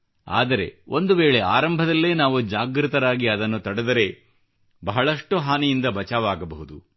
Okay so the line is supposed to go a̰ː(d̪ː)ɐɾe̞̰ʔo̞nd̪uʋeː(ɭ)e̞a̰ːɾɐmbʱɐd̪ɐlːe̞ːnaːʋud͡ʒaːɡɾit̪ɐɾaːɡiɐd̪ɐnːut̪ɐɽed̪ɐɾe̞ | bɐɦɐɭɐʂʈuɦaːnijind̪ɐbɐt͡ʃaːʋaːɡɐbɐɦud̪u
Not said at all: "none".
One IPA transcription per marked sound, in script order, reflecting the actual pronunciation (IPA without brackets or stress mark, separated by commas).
d̪, ɭ